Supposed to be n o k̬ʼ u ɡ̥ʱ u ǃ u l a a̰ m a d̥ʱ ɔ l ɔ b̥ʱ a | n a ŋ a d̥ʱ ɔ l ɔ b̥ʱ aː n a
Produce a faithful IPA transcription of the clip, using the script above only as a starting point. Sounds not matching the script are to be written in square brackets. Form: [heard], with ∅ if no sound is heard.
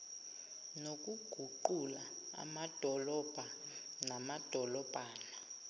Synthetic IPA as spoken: n o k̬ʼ u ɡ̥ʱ u ǃ u l a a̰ m a d̥ʱ ɔ l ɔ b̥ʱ a | n a [m] a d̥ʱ ɔ l ɔ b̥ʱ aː n a

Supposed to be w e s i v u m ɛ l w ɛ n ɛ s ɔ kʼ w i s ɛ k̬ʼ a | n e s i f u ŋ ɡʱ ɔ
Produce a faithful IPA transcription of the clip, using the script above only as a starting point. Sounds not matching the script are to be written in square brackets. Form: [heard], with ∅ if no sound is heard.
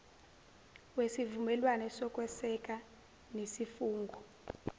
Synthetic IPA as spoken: w e s i v u m ɛ l w [a] n ɛ s ɔ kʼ w [ɛ] s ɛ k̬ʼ a | n e s i f [uː] ŋ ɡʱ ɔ

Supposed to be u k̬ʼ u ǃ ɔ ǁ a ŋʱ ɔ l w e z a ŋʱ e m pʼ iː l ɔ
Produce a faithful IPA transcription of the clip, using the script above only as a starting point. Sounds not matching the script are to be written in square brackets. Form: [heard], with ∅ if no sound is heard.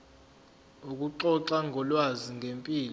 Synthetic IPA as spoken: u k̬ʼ u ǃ ɔ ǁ a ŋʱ ɔ l w [a] z [i] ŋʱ e m pʼ iː l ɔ

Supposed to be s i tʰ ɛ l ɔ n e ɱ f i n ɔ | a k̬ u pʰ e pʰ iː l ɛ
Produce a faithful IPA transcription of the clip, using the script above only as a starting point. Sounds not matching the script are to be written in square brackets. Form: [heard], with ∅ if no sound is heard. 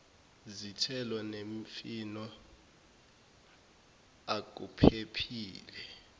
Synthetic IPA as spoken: [z] i tʰ ɛ l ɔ n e ɱ f i n ɔ | a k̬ u pʰ e pʰ iː l ɛ

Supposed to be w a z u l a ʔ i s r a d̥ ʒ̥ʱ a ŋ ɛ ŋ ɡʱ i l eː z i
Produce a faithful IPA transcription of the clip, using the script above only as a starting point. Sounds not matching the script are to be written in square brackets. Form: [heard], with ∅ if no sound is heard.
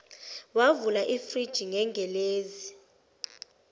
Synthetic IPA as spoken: w a [v] u l a ʔ i [f] r [i] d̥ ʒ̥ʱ [i] ŋ ɛ ŋ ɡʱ [ɛ] l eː z i

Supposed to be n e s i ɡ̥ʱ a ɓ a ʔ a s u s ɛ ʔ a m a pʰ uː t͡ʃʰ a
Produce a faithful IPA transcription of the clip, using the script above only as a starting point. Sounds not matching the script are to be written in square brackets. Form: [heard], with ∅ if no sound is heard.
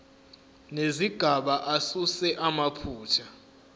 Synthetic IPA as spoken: n e [z] i ɡ̥ʱ a ɓ a ʔ a s u s ɛ ʔ a m a pʰ uː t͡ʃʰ a

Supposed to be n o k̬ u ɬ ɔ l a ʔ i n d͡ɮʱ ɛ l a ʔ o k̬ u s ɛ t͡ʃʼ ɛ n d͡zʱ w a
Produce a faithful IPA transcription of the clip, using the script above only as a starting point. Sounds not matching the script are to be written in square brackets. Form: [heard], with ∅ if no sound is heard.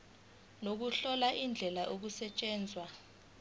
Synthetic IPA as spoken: n o k̬ u ɬ ɔ l a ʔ i n d͡ɮʱ ɛ l a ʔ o k̬ u s ɛ t͡ʃʼ [ɛː] n d͡zʱ w a

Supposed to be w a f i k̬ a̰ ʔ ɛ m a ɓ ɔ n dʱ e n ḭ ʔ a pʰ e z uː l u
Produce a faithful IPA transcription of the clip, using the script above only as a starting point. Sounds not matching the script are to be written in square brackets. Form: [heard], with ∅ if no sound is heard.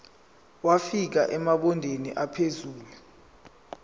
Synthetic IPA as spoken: w a f i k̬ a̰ ʔ ɛ m a ɓ ɔ n dʱ e n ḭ ʔ a pʰ e z uː l u

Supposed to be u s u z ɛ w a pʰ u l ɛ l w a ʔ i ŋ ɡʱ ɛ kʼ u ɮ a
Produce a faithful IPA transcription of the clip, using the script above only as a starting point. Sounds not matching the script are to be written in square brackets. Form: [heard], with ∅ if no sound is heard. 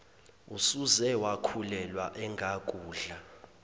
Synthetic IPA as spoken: u s u z ɛ w a [kʰ] u l ɛ l w a ʔ [ɛ] ŋ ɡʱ [a] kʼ [uː] ɮ a

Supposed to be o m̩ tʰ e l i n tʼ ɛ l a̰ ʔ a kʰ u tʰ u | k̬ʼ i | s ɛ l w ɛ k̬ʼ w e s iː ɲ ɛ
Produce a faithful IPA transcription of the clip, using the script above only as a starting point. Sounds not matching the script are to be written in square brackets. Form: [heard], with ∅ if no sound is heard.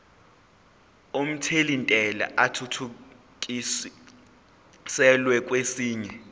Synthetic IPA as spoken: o m̩ tʰ e l i n tʼ ɛ l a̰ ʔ a [tʰ] u tʰ u | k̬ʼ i | s ɛ l w ɛ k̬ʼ w e s iː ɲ ɛ

